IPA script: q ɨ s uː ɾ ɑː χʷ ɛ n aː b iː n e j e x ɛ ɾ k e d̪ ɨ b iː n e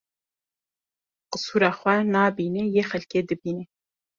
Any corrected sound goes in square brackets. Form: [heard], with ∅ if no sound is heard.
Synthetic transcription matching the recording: q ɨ s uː ɾ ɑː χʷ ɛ n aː b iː n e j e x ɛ [l] k e d̪ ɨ b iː n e